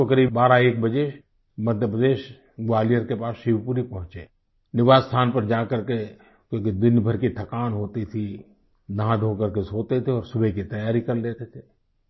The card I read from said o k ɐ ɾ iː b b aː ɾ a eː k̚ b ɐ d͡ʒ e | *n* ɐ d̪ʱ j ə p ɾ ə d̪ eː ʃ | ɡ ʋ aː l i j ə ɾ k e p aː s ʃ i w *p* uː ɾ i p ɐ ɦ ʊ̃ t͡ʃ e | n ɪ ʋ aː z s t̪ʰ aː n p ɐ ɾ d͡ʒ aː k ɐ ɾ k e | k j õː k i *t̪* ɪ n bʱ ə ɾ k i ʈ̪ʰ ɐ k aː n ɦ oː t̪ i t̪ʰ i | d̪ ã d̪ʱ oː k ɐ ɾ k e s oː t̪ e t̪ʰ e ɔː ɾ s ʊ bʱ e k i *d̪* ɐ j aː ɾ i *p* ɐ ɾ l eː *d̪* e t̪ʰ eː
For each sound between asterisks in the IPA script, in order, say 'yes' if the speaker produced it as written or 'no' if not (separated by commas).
no, yes, no, no, no, no